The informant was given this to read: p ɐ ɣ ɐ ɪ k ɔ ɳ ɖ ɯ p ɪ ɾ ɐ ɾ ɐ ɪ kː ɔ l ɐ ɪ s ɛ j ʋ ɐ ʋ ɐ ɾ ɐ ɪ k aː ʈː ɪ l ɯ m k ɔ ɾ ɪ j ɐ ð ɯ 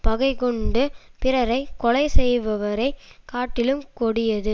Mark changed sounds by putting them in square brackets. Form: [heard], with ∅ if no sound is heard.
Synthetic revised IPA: p ɐ ɣ ɐ ɪ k ɔ ɳ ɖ ɯ p ɪ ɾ ɐ ɾ ɐ ɪ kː ɔ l ɐ ɪ s ɛ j ʋ ɐ ʋ ɐ ɾ ɐ ɪ k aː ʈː ɪ l ɯ m k ɔ [ɽ] ɪ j ɐ ð ɯ